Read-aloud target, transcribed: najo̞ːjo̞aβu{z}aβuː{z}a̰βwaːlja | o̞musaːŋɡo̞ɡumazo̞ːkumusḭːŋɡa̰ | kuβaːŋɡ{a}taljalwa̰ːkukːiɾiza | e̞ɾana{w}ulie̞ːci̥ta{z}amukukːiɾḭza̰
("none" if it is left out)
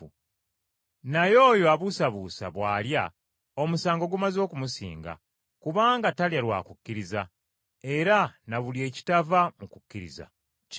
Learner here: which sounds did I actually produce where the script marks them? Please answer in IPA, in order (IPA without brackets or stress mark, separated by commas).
s, s, a, β, v